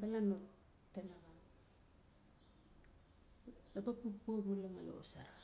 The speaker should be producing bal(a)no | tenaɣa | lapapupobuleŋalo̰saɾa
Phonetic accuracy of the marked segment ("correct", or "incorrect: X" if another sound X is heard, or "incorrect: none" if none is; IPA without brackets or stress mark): correct